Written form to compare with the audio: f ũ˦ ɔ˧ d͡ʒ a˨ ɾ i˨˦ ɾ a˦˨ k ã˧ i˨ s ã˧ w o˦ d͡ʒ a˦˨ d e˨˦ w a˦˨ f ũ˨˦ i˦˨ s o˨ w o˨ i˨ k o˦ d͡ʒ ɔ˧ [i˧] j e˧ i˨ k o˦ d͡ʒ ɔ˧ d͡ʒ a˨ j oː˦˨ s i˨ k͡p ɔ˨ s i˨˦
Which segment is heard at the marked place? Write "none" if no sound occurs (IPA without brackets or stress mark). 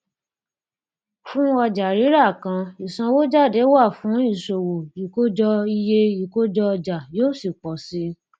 i˧